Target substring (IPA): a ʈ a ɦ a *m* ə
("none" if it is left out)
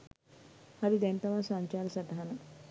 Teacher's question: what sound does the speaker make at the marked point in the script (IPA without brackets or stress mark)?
n